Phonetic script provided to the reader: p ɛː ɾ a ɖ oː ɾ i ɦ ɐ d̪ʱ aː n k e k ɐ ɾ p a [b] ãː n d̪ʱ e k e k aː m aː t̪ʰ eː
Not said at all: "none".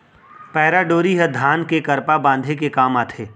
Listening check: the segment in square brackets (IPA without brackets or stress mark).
b